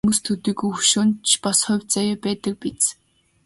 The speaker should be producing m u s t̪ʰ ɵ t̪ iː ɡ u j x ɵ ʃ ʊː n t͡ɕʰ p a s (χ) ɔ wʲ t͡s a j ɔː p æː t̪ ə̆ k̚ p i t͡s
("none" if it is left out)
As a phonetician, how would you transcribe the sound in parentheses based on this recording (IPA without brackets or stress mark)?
χ